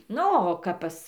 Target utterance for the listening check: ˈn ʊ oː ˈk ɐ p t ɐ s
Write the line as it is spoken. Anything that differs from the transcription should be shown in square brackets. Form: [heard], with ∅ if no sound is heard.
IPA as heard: ˈn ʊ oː ˈk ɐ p [p] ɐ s